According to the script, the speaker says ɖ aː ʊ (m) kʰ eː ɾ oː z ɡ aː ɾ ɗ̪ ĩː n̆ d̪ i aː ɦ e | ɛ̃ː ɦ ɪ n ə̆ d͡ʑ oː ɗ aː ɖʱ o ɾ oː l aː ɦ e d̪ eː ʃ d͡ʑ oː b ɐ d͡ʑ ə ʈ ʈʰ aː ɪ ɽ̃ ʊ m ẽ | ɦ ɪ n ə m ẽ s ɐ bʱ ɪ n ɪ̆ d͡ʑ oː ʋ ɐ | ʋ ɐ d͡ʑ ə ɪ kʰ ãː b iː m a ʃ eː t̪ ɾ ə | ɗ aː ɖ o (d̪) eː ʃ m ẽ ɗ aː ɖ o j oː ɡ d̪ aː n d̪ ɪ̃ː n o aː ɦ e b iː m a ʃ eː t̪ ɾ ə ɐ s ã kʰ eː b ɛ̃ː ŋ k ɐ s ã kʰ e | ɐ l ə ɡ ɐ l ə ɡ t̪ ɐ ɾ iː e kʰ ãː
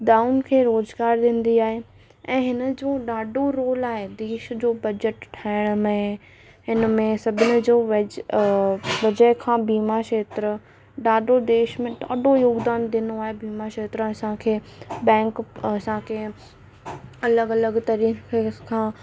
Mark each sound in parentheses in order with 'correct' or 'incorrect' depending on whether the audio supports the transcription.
incorrect: n, correct

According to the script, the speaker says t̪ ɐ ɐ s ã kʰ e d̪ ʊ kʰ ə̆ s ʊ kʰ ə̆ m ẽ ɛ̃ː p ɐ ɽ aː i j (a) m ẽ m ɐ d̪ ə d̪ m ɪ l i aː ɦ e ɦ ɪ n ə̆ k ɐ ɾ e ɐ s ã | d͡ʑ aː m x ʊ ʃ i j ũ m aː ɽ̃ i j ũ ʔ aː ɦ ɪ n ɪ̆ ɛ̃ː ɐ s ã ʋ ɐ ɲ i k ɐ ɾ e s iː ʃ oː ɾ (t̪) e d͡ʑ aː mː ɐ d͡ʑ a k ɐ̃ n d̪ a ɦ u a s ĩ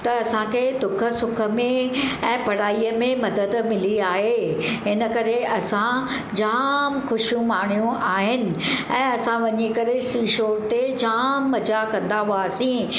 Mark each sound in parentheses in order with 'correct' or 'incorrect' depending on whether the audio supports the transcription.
incorrect: ə, correct

